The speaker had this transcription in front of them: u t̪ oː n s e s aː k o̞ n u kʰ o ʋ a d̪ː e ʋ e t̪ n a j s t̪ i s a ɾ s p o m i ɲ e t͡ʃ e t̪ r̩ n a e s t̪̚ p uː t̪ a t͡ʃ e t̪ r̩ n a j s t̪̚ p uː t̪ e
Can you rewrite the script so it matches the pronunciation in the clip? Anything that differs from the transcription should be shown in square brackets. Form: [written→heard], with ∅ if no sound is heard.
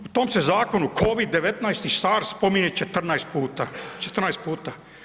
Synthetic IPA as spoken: u t̪ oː [n→m] s e [s→z] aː k o̞ n u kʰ o ʋ [a→i] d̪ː e ʋ e t̪ n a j s t̪ i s a ɾ s p o m i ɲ e t͡ʃ e t̪ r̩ n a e s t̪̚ p uː t̪ a t͡ʃ e t̪ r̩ n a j s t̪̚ p uː t̪ [e→a]